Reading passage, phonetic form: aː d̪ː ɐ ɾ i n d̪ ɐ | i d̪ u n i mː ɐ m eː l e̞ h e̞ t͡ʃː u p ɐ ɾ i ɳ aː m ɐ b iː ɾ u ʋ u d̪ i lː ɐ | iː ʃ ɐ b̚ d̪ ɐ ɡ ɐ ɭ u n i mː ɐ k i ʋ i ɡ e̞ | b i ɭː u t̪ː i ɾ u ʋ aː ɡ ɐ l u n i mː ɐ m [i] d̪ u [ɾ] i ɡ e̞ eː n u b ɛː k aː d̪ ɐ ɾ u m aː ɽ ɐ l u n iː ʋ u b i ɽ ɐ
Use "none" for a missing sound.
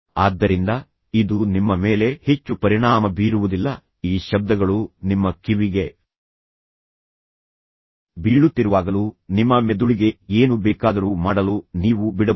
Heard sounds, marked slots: e, ɭ

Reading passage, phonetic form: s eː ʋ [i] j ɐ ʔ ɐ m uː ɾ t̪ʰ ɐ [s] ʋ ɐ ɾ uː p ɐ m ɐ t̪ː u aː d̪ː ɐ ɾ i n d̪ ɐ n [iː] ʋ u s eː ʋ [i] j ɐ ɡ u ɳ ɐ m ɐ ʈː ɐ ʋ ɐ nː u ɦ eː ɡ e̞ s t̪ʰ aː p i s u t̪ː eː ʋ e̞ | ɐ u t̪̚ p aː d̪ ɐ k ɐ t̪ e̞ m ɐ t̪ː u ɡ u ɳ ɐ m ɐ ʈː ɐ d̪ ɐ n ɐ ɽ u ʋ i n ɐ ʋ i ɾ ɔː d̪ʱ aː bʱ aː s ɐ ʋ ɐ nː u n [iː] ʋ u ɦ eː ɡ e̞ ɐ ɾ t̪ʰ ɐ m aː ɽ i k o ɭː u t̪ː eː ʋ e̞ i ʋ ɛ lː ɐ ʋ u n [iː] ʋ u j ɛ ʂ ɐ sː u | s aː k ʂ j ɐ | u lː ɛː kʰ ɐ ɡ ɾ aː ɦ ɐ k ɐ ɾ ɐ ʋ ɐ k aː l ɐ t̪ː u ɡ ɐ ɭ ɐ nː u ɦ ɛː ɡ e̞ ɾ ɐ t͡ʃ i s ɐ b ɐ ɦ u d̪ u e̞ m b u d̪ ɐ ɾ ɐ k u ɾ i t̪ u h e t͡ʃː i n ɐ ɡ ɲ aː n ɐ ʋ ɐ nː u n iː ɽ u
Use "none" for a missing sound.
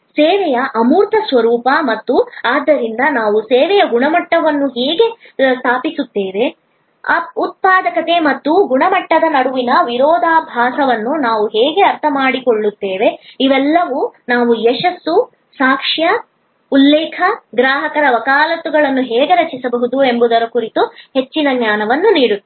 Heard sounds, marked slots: ɛ, s, aː, ɛ, aː, aː

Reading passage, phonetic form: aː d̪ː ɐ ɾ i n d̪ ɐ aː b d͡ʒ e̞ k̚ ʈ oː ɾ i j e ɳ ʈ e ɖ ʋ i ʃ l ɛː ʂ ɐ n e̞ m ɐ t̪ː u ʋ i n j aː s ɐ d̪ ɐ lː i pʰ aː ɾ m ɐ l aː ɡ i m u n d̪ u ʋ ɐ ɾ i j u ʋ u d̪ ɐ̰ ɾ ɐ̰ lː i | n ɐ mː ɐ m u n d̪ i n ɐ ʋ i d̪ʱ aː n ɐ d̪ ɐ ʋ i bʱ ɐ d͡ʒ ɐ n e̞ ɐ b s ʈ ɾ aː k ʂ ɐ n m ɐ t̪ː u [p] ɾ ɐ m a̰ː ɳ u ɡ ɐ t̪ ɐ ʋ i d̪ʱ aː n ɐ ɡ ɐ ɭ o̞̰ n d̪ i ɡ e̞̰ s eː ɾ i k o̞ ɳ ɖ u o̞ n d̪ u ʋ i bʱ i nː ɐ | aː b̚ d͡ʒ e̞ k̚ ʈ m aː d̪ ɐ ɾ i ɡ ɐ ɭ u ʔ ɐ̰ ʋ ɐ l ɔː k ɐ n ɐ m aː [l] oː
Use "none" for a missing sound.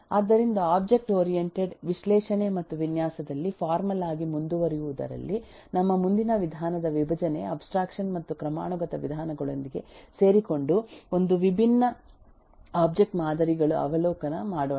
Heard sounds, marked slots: k, ɽ

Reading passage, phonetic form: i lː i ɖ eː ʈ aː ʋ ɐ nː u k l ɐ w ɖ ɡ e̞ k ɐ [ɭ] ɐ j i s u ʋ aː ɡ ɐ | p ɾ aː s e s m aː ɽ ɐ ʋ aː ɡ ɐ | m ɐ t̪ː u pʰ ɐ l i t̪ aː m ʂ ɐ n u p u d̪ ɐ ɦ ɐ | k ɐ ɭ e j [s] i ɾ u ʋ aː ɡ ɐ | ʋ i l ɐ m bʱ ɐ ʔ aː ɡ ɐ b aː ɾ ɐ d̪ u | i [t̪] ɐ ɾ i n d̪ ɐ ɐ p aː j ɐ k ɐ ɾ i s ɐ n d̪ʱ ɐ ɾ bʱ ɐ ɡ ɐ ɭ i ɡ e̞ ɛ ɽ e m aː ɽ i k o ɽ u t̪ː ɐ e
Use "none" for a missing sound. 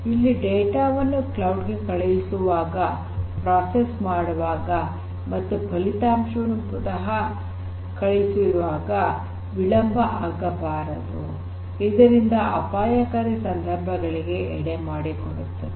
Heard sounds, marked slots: ɭ, s, d̪

